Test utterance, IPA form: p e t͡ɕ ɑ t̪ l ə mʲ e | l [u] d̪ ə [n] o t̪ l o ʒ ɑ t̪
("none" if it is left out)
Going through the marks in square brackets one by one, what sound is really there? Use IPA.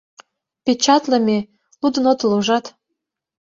u, n

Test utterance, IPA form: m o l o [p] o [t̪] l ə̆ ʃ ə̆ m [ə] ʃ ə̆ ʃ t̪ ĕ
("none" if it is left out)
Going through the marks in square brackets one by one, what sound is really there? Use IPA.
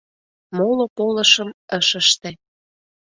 p, none, ə

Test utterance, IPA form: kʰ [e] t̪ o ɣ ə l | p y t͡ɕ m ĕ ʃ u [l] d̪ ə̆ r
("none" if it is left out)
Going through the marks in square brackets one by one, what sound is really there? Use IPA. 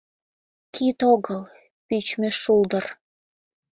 i, l

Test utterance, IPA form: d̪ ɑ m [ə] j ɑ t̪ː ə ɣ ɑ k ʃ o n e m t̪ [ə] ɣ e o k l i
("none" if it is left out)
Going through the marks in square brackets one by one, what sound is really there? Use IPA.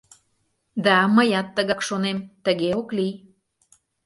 ə, ə

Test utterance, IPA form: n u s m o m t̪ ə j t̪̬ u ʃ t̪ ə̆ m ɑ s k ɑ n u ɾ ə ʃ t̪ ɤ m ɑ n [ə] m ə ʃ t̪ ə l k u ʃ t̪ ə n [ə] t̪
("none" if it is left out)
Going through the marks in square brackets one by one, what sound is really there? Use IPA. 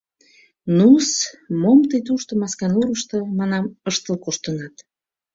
ɑ, ɑ

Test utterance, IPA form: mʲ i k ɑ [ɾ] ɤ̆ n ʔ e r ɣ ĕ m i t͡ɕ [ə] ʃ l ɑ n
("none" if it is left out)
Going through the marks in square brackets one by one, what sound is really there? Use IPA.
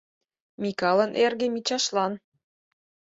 l, ɑ

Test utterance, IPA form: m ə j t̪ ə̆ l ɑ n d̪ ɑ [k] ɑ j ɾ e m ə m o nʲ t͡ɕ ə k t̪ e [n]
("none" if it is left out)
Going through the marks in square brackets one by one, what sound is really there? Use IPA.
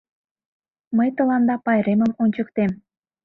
p, m

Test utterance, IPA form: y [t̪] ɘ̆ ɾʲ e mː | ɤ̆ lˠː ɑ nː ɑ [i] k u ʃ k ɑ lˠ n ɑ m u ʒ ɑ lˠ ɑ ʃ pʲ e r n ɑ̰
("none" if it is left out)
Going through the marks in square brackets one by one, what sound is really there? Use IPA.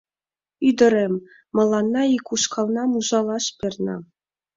d̪, i

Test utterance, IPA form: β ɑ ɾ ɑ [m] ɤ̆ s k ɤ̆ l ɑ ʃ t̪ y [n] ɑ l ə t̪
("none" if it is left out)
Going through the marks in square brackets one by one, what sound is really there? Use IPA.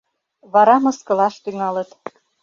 m, ŋ

